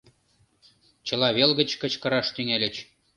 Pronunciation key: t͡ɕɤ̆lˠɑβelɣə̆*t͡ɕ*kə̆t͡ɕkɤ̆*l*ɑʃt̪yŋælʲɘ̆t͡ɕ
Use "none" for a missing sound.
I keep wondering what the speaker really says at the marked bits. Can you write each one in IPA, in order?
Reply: t͡ɕ, ɾ

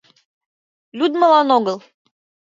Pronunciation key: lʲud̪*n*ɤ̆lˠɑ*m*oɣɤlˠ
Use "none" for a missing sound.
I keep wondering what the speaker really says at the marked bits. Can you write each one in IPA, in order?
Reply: m, n

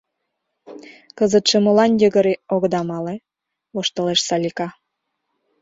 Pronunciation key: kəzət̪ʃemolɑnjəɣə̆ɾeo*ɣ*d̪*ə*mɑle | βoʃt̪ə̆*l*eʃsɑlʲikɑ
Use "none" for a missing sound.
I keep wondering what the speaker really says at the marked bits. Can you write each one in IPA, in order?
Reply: ɣ, ɑ, l

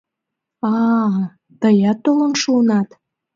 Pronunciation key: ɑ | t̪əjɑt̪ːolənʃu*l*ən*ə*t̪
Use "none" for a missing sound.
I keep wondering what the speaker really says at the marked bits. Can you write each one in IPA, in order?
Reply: none, ɑ

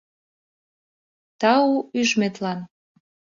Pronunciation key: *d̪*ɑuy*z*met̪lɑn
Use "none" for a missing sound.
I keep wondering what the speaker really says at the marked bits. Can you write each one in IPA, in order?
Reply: t̪, ʒ

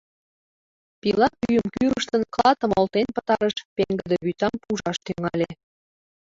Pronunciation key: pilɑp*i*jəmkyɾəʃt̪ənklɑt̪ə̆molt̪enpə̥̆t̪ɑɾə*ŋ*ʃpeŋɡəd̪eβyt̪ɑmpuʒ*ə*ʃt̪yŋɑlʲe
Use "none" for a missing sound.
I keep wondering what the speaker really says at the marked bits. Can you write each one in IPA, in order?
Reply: y, none, ɑ

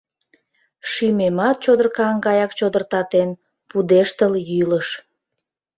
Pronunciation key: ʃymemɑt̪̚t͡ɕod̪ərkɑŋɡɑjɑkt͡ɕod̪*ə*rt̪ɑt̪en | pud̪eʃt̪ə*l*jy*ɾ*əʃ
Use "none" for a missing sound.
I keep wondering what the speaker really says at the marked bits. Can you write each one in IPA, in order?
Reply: ə, l, l

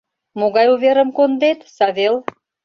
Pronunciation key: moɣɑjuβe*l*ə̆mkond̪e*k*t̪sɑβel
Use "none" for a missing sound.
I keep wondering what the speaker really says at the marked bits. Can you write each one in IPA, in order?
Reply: ɾ, none

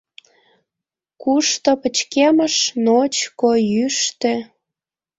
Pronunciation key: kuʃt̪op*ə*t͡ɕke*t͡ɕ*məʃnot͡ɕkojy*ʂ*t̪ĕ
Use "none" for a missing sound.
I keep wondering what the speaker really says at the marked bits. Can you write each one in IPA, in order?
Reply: ə, none, ʃ

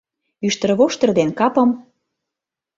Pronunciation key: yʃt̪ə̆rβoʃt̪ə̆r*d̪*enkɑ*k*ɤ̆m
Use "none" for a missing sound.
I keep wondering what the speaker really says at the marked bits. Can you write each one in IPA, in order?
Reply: d̪, p

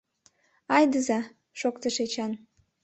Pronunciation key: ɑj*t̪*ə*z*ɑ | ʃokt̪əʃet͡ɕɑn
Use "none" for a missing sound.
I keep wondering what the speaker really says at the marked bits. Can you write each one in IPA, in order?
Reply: d̪, z

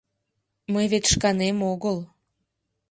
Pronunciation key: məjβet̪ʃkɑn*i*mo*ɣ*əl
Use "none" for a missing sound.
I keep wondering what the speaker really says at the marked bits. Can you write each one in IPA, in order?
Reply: e, ɣ

